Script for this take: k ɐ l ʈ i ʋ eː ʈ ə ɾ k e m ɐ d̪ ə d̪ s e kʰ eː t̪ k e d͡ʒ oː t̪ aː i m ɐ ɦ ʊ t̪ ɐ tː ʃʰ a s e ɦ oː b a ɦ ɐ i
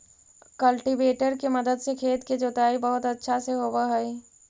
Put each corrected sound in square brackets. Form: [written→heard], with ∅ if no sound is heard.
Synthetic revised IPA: k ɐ l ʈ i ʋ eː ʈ ə ɾ k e m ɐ d̪ ə d̪ s e kʰ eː t̪ k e d͡ʒ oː t̪ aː i [m→b] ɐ ɦ ʊ t̪ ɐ tː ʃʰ a s e ɦ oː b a ɦ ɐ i

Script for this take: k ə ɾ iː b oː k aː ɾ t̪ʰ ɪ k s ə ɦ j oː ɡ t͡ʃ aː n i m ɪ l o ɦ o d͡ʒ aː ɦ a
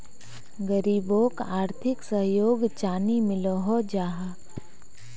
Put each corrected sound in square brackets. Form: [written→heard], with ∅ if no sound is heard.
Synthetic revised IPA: [k→ɡ] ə ɾ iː b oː k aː ɾ t̪ʰ ɪ k s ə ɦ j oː ɡ t͡ʃ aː n i m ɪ l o ɦ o d͡ʒ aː ɦ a

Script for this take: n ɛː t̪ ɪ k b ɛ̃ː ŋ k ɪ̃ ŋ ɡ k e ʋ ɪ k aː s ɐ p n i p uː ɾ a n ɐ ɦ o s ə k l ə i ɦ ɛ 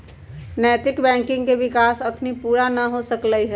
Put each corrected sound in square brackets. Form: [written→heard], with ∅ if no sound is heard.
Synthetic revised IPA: n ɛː t̪ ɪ k b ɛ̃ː ŋ k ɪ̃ ŋ ɡ k e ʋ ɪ k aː s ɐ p n i p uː ɾ a n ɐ ɦ o s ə k l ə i ɦ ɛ

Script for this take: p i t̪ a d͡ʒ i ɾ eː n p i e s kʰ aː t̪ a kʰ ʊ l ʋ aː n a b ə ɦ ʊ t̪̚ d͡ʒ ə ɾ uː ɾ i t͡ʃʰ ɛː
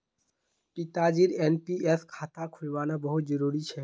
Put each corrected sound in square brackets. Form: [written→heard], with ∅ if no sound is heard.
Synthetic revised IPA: p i t̪ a d͡ʒ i ɾ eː n p i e s kʰ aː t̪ a kʰ ʊ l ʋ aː n a b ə ɦ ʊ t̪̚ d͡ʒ ə ɾ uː ɾ i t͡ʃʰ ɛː

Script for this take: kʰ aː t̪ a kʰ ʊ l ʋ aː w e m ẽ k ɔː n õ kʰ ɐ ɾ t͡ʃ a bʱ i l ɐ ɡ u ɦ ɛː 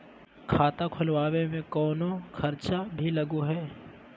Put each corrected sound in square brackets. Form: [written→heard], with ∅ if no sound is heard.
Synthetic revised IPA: kʰ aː t̪ a kʰ ʊ l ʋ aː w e m ẽ k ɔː n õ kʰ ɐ ɾ t͡ʃ a bʱ i l ɐ ɡ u ɦ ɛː

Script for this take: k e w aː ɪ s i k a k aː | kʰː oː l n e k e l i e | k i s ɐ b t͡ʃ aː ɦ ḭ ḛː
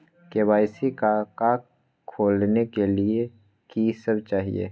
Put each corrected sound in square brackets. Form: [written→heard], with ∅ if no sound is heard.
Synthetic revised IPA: k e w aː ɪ s i k a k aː | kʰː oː l n e k e l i e | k i s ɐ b t͡ʃ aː ɦ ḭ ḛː

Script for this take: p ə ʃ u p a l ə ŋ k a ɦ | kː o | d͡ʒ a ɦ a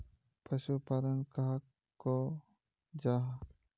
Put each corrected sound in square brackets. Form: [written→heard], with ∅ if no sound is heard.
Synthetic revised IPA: p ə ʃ u p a [l→ɾ] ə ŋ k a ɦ | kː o | d͡ʒ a ɦ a

